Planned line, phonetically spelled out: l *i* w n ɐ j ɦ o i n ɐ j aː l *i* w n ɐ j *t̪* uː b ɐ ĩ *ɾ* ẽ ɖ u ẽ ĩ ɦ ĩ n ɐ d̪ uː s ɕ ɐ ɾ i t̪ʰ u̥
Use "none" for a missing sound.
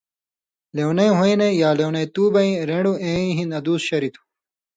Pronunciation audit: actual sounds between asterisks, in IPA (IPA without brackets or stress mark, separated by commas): e, e, t̪, ɾ